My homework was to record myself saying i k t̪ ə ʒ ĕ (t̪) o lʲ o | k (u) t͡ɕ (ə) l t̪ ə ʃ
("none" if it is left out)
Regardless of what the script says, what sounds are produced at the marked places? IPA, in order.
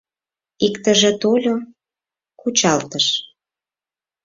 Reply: t̪, u, ɑ

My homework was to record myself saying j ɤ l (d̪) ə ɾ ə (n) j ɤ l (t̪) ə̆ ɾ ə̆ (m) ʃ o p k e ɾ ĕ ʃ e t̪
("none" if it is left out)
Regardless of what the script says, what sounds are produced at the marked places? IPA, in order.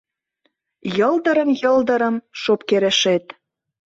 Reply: d̪, m, d̪, m

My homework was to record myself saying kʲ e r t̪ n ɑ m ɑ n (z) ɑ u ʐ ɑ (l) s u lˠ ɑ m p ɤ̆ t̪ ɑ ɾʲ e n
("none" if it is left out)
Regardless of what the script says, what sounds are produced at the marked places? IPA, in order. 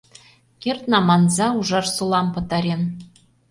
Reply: z, r

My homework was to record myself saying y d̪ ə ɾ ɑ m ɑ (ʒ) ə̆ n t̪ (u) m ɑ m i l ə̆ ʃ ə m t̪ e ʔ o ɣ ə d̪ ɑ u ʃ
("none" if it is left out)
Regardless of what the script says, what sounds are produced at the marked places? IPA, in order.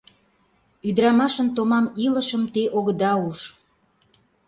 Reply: ʃ, o

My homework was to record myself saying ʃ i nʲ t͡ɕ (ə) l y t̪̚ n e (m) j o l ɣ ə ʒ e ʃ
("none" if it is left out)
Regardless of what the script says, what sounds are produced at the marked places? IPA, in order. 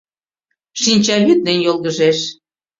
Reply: ɑ, n

